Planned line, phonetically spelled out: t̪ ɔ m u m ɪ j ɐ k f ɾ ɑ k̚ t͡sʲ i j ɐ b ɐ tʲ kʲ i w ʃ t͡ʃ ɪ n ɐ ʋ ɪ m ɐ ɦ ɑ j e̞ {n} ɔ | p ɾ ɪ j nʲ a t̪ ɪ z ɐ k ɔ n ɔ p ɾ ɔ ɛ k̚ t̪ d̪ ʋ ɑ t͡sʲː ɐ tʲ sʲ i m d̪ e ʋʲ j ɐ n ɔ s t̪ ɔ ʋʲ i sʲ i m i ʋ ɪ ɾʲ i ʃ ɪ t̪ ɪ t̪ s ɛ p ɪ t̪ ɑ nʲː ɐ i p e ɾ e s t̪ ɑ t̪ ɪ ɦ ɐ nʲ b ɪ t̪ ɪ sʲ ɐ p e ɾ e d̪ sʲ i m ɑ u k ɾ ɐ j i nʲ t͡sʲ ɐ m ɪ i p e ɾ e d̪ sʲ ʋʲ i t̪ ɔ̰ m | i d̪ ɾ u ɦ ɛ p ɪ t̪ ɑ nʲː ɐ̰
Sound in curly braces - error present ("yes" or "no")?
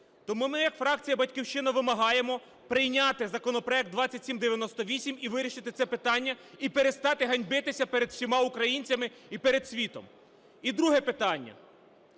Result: yes